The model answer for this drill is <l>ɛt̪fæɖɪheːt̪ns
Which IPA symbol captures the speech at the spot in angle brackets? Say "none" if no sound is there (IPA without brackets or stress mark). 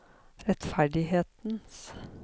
ɾ